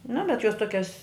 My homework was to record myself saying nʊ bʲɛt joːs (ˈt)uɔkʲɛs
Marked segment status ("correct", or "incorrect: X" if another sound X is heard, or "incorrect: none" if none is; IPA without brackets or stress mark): correct